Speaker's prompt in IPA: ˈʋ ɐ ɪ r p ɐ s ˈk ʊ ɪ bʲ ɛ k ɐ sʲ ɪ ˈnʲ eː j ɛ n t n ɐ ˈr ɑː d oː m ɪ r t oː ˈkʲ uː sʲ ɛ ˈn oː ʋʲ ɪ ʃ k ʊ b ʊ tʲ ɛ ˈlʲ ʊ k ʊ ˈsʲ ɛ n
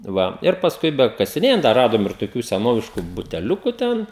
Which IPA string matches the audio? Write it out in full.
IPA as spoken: ˈʋ ɐ ɪ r p ɐ s ˈk ʊ ɪ bʲ ɛ k ɐ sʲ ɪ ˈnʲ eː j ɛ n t d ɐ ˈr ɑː d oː m ɪ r t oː ˈkʲ uː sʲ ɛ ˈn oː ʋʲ ɪ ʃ k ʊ b ʊ tʲ ɛ ˈlʲ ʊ k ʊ ˈtʲ ɛ n